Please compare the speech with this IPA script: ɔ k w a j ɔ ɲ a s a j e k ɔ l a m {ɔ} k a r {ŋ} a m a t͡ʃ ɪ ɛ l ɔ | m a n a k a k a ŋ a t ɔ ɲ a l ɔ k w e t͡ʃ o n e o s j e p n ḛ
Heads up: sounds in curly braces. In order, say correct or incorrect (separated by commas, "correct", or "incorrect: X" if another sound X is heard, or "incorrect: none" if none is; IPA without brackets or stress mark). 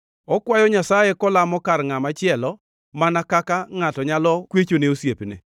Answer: correct, correct